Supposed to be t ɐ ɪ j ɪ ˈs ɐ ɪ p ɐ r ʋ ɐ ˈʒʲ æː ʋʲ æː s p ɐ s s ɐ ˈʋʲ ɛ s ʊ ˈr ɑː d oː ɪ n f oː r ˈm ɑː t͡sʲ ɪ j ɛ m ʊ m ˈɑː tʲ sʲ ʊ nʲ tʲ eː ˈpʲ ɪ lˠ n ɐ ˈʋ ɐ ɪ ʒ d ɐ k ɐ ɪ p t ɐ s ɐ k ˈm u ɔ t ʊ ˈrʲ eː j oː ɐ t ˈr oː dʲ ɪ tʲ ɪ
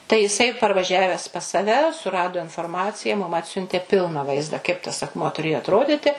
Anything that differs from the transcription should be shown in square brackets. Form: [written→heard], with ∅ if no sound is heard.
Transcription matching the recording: t ɐ ɪ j ɪ ˈs ɐ ɪ p ɐ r ʋ ɐ ˈʒʲ æː ʋʲ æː s p ɐ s s ɐ ˈʋʲ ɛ s ʊ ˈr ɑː d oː ɪ n f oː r ˈm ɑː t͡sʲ ɪ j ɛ m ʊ m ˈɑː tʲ sʲ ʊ nʲ tʲ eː ˈpʲ ɪ lˠ n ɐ ˈʋ ɐ ɪ [ʒ→z] d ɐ k ɐ ɪ p t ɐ s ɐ k ˈm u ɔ t ʊ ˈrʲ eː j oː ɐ t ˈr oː dʲ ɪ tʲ ɪ